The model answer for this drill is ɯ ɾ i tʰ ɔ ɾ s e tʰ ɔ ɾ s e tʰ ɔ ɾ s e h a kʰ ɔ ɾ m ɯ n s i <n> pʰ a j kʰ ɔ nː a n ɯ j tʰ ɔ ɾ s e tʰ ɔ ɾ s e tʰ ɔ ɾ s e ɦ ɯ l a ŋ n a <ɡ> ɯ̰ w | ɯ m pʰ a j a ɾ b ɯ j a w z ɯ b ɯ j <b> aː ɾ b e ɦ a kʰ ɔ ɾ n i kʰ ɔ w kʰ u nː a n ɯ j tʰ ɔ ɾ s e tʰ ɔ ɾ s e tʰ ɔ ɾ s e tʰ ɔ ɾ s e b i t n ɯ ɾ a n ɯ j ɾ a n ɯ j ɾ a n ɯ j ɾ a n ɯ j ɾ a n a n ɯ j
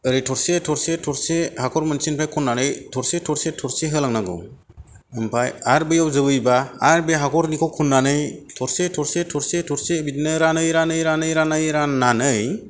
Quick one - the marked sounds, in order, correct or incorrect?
correct, correct, correct

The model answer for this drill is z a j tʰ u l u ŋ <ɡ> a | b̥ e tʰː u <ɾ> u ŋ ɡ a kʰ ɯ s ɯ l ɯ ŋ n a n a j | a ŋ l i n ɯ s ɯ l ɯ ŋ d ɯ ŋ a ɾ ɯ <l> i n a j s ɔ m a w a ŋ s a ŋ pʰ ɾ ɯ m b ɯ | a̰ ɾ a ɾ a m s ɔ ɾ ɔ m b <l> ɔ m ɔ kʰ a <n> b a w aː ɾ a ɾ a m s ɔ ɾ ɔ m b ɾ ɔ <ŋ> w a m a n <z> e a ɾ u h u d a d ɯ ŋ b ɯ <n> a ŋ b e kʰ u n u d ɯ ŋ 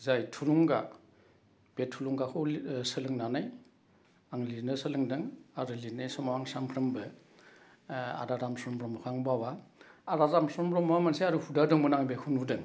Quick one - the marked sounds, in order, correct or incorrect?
correct, incorrect: l, correct, incorrect: ɾ, incorrect: ŋ, incorrect: m, incorrect: s, correct

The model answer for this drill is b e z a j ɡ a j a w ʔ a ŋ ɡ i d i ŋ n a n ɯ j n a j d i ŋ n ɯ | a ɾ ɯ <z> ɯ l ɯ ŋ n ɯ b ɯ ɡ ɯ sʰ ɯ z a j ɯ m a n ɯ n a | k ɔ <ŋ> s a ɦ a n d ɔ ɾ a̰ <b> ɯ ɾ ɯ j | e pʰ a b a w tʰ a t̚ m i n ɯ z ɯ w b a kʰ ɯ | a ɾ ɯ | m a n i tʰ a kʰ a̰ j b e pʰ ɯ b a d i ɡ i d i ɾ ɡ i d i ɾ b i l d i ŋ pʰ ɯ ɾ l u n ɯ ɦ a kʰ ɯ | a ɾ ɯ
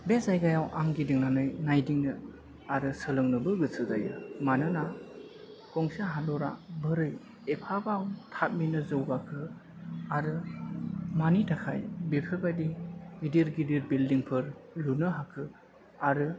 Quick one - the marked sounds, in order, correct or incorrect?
incorrect: s, correct, correct

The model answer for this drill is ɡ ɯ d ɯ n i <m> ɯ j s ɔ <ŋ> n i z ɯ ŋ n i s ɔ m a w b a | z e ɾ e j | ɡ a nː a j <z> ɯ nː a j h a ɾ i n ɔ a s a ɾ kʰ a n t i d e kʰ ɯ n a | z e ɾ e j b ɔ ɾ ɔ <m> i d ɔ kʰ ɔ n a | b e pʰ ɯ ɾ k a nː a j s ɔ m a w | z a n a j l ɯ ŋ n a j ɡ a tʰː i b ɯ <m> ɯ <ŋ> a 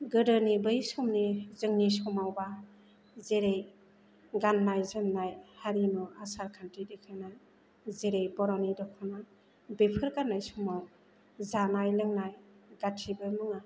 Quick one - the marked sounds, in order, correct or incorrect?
incorrect: b, incorrect: m, correct, incorrect: n, correct, correct

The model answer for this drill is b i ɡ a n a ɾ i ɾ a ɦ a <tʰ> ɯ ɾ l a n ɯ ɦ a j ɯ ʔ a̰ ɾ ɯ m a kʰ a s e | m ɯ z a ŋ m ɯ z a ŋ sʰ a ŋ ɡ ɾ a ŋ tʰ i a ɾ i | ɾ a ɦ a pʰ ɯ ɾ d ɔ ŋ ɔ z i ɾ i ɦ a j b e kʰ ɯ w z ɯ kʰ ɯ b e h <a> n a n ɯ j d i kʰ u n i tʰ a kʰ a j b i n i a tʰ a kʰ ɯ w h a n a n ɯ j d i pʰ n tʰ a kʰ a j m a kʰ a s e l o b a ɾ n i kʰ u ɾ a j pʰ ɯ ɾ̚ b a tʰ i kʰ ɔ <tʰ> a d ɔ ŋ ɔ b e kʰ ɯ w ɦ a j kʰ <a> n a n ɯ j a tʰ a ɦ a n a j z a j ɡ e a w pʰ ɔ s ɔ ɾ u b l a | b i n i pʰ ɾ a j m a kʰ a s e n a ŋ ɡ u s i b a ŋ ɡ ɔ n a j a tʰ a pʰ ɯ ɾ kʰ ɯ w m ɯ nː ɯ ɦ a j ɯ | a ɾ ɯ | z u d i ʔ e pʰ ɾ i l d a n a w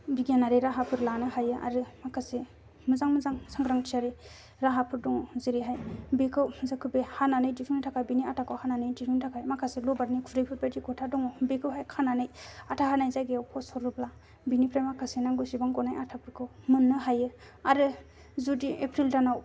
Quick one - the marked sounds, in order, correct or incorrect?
incorrect: pʰ, correct, correct, correct

